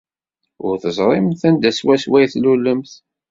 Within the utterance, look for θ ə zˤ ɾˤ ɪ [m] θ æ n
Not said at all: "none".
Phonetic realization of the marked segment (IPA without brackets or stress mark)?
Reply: m